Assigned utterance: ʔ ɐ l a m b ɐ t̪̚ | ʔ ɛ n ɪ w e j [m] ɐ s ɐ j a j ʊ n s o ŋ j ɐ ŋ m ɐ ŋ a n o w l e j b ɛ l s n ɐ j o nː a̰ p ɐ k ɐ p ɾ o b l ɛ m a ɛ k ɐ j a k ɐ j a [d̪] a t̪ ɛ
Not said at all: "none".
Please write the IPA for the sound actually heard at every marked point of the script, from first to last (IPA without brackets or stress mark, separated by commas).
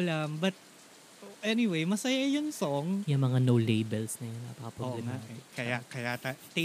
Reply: m, t̪